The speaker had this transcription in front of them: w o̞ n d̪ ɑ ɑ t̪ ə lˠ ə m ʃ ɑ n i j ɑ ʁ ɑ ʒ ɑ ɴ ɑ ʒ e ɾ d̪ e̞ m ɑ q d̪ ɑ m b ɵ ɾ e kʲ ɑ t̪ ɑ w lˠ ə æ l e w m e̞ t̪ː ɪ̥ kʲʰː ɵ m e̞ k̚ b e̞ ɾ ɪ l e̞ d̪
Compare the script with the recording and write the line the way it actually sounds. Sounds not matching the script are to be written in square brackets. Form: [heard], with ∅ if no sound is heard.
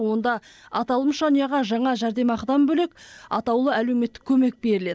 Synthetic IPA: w o̞ n d̪ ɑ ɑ t̪ [ɑ] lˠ ə m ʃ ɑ n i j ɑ ʁ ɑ ʒ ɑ ɴ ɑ ʒ [æ] ɾ d̪ e̞ m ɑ q d̪ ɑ m b ɵ [l] e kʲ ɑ t̪ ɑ w lˠ ə æ l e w m e̞ t̪ː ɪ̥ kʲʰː ɵ m e̞ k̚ b e̞ ɾ ɪ l e̞ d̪